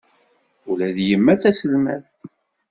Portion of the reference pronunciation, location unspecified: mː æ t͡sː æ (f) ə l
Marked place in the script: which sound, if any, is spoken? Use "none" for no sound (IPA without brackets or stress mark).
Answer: s